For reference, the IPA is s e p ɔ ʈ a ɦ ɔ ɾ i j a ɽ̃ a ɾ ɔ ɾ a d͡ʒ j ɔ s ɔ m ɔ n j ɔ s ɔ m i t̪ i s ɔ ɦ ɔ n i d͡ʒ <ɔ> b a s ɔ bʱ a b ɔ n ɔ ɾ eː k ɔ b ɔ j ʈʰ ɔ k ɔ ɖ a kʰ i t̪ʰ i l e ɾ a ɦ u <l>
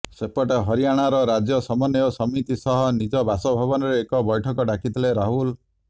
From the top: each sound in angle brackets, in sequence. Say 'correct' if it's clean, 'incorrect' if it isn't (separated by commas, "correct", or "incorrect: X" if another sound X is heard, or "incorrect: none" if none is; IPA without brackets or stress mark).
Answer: correct, correct